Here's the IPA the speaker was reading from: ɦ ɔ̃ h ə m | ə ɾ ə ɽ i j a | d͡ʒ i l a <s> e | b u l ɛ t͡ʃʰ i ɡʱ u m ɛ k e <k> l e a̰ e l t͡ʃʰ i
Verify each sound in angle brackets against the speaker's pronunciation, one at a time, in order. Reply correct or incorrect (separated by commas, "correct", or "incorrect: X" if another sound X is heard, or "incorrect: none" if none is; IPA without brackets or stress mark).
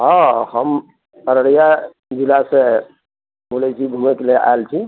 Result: correct, incorrect: none